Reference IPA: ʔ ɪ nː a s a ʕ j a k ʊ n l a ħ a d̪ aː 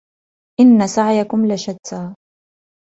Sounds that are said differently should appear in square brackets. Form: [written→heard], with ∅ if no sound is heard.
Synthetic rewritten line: ʔ ɪ nː a s a ʕ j a k ʊ [n→m] l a [ħ→ʃ] a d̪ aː